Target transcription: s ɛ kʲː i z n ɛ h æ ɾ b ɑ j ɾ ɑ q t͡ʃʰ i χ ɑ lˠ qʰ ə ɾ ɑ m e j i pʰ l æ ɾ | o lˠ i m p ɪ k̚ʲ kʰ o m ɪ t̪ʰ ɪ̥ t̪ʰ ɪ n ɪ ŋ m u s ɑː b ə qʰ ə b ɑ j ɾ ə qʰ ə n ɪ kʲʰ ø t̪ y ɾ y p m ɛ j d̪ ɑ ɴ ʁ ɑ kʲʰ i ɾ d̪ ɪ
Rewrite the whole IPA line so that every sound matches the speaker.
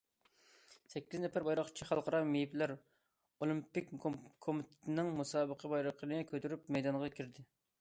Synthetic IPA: s ɛ kʲː i z n ɛ f æ ɾ b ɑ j ɾ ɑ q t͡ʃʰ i χ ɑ lˠ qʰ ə ɾ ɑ m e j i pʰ l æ ɾ | o lˠ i m p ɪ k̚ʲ kʰ o m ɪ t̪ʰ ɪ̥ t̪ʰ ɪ n ɪ ŋ m u s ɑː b ə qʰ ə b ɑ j ɾ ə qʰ ə n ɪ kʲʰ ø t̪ y ɾ y p m ɛ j d̪ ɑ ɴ ʁ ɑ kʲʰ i ɾ d̪ ɪ